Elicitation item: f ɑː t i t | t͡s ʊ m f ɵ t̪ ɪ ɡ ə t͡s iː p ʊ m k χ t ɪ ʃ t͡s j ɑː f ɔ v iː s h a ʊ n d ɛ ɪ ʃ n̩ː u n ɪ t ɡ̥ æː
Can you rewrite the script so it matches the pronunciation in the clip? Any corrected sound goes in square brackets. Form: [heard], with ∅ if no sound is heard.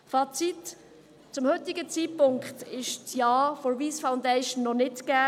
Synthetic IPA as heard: f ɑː [t͡s] i t | t͡s ʊ m [h] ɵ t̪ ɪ ɡ ə t͡s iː p ʊ [ŋ] k χ t ɪ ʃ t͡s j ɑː f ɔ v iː s [f] a ʊ n d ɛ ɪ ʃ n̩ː [ɔ] n ɪ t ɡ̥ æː

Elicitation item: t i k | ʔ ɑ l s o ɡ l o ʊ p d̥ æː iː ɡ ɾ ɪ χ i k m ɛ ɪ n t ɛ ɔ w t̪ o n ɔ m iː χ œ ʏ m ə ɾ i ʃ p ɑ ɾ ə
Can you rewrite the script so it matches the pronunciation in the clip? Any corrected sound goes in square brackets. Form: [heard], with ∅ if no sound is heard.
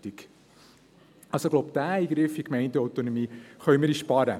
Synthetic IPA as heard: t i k | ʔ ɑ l s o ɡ l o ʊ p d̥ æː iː ɡ ɾ ɪ [f] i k m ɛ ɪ n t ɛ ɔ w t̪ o n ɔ m iː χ œ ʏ m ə ɾ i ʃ p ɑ ɾ ə

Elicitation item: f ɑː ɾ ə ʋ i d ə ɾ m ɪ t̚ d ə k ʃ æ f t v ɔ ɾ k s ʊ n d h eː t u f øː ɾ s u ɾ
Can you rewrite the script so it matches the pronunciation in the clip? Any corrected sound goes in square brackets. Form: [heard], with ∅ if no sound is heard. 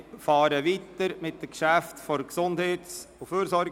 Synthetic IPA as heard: f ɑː ɾ ə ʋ i [t] ə ɾ m ɪ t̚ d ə k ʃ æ f t [f] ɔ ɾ k s ʊ n d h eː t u f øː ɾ s [ɔ] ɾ

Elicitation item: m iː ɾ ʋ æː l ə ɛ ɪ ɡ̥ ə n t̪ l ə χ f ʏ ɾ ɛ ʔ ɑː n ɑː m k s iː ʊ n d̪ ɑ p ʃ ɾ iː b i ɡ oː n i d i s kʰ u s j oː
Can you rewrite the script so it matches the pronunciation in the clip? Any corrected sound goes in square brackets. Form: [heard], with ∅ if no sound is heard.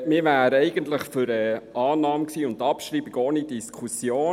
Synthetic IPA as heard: m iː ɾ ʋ æː [ɾ] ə ɛ ɪ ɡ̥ ə n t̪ l ə χ f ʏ ɾ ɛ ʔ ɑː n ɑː m k s iː ʊ n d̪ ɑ p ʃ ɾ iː b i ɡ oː n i d i s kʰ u s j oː

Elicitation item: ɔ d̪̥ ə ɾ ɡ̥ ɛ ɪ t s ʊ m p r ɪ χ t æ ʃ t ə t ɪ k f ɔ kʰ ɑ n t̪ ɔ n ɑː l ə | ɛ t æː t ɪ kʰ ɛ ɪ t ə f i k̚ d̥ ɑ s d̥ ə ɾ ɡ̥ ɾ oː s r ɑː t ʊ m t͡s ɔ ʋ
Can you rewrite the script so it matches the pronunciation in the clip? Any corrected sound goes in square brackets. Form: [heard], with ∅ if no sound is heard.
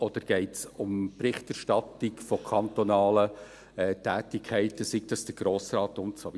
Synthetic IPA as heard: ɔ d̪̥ ə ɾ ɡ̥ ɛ ɪ t s ʊ m p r ɪ χ t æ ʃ t [ɑ] t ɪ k f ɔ kʰ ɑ n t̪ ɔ n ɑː l ə | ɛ t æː t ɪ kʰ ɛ ɪ t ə [s] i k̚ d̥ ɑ s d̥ ə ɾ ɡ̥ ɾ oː s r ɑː t ʊ m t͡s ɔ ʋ

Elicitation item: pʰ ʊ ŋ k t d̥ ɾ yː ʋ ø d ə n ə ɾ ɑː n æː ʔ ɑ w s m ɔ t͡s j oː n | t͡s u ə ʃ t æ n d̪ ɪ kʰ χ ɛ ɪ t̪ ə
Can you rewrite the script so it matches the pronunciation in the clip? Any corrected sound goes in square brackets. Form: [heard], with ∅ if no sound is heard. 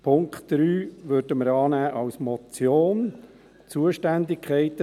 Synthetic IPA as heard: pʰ ʊ ŋ k t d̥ ɾ yː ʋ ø d ə [m] ə ɾ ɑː n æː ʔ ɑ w s m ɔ t͡s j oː n | t͡s u ə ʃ t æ n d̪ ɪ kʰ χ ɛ ɪ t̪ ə

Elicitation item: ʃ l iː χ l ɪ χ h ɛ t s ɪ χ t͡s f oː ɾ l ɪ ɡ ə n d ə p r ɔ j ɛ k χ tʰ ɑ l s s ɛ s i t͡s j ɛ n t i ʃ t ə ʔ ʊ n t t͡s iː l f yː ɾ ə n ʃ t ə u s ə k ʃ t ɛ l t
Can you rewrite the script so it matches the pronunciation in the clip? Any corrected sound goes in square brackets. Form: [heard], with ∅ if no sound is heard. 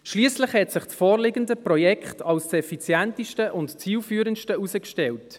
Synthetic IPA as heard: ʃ l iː [s] l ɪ χ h ɛ t s ɪ χ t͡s f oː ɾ l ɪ ɡ ə n d ə p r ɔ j ɛ k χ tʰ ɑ l s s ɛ [f] i t͡s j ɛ n t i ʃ t ə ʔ ʊ n t t͡s iː l f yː ɾ ə n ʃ t ə u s ə k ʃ t ɛ l t

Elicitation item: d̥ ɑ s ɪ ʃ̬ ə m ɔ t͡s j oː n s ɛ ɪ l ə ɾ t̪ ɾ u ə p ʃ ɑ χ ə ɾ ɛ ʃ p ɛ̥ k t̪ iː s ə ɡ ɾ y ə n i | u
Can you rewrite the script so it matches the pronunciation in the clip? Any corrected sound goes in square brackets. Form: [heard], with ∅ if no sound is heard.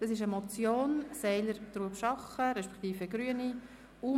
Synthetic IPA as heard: d̥ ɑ s ɪ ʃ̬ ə m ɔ t͡s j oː n s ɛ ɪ l ə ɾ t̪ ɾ u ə p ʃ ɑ χ ə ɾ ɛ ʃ p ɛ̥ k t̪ iː [f] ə ɡ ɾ y ə n i | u

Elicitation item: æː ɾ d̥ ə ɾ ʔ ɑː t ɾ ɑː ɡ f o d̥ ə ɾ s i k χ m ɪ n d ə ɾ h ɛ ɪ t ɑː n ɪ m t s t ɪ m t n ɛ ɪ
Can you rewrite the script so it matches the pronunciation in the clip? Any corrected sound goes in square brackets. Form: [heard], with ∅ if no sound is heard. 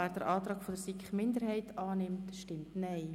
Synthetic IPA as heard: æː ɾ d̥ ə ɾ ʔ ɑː t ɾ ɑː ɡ f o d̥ ə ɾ s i k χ m ɪ n d ə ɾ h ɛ ɪ t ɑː n ɪ m t [ʃ] t ɪ m t n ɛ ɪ

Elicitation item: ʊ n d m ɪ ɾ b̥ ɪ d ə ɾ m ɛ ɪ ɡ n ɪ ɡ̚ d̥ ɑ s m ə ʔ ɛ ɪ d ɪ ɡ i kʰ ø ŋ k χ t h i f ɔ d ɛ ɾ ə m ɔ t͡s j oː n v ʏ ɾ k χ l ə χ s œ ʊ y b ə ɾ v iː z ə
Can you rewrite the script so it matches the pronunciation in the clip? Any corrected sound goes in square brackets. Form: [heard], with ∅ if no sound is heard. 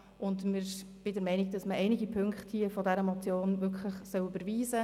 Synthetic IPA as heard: ʊ n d m ɪ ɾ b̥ ɪ d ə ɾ m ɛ ɪ [∅] n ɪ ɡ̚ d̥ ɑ s m ə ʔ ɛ ɪ [n] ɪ ɡ i [pʰ] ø ŋ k χ t h i f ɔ d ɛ ɾ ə m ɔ t͡s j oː n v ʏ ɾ k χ l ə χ s œ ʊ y b ə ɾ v iː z ə

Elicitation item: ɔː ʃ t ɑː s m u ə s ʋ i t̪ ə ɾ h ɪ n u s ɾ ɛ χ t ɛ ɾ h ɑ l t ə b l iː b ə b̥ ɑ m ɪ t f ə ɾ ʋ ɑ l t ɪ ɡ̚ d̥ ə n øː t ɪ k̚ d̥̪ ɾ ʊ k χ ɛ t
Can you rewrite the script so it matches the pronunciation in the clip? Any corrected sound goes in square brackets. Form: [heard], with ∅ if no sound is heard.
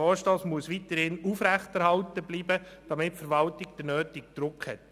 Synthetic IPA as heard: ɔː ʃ t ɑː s m u ə s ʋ i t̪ ə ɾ h ɪ n u [f] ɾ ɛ χ t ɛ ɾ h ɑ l t ə b l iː b ə [d̥] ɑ m ɪ t f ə ɾ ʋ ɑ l t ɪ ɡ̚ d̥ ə n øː t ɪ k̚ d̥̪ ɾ ʊ k [h] ɛ t

